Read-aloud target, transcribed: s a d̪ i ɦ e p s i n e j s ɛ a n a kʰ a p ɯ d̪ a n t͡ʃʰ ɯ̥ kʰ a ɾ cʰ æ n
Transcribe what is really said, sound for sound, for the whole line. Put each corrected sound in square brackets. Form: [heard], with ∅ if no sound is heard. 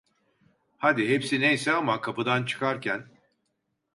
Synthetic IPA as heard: [h] a d̪ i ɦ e p s i n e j s ɛ a [m] a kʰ a p ɯ d̪ a n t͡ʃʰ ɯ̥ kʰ a ɾ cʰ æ n